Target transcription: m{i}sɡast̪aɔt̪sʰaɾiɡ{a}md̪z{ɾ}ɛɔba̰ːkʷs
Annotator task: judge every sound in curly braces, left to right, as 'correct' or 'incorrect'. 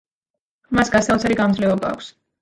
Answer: incorrect: a, correct, incorrect: l

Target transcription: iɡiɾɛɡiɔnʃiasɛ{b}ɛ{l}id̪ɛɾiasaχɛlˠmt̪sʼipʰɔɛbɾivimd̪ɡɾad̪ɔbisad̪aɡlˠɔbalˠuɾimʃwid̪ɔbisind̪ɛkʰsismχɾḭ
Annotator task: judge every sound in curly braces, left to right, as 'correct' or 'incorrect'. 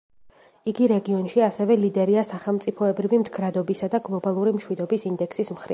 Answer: incorrect: v, correct

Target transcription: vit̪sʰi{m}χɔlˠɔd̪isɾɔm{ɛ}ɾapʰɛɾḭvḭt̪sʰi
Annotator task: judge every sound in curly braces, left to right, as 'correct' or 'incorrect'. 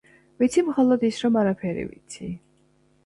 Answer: correct, incorrect: a

